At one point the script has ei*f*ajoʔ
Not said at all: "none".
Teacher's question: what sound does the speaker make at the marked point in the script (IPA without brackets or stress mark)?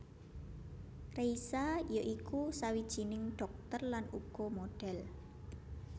s